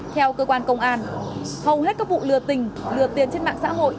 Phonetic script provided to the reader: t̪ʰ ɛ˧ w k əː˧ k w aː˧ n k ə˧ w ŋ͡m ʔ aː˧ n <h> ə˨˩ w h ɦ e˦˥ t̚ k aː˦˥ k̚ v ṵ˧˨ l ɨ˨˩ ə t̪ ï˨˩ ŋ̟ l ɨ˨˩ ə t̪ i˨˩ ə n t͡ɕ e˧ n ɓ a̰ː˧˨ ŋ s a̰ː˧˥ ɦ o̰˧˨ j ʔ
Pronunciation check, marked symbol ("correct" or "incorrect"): correct